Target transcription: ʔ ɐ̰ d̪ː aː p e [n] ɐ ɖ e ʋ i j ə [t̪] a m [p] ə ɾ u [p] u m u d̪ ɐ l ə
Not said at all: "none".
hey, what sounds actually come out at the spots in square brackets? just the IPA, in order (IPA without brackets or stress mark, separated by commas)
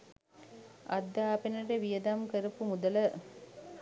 n, d̪, k, p